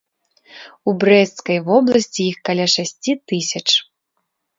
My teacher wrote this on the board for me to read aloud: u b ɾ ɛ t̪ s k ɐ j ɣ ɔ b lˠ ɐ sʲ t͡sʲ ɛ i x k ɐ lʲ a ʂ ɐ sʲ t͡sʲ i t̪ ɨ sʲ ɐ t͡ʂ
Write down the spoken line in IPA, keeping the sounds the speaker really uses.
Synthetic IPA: u b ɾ ɛ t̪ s k ɐ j v ɔ b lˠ ɐ sʲ t͡sʲ i i x k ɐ lʲ a ʂ a sʲ t͡sʲ i t̪ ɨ sʲ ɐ t͡ʂ